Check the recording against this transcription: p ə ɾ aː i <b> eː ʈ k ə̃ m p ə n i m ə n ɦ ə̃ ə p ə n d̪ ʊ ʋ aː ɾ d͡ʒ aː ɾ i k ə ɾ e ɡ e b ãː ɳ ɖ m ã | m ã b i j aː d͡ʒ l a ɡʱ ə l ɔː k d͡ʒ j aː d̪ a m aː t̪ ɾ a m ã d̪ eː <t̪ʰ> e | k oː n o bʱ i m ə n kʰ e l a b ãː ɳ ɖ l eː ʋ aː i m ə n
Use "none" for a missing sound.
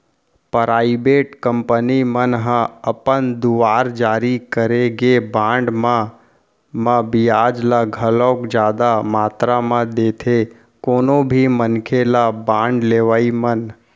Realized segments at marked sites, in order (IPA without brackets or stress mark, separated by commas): b, t̪ʰ